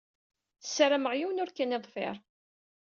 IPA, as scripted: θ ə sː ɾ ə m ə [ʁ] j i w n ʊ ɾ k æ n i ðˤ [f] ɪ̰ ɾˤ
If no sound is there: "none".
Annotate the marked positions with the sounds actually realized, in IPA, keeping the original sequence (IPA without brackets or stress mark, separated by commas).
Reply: ʁ, f